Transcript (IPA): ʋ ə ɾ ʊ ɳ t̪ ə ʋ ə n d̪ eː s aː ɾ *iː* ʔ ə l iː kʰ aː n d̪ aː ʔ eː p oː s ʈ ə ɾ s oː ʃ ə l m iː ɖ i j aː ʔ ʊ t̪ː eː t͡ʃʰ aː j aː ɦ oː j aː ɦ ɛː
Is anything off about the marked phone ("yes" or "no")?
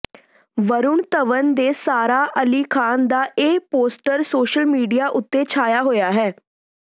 yes